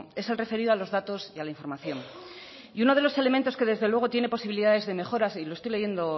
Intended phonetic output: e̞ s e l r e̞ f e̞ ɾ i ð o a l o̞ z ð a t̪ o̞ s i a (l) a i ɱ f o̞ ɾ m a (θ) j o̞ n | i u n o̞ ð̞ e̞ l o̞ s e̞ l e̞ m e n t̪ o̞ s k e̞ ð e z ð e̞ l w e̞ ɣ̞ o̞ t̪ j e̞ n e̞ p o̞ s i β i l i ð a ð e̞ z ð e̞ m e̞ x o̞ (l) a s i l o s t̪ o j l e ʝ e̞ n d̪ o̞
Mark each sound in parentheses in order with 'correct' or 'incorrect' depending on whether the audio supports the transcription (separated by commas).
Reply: correct, correct, incorrect